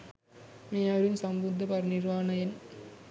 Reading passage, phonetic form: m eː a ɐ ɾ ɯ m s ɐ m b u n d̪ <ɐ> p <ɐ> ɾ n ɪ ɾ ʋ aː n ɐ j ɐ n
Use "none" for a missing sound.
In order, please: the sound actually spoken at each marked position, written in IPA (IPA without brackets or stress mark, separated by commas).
ɐ, ɐ